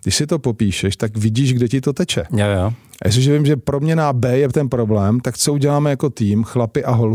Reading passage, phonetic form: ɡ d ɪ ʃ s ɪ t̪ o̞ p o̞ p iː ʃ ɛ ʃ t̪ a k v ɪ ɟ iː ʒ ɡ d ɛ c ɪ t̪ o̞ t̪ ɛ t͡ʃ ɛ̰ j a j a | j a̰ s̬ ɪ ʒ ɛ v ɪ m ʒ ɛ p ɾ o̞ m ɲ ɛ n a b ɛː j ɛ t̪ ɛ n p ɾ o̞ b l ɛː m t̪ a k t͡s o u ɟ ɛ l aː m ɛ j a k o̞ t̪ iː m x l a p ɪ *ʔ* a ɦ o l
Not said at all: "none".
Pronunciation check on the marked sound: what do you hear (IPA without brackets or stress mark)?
ʔ